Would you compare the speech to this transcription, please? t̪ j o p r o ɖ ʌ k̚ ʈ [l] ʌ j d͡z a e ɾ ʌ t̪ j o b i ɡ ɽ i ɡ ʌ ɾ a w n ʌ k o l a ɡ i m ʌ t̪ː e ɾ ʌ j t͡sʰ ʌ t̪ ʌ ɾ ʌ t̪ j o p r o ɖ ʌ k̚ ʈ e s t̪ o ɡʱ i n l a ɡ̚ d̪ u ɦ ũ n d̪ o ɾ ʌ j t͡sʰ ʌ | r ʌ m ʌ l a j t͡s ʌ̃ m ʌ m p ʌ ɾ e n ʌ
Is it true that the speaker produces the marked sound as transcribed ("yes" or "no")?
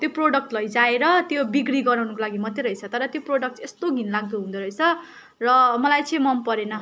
yes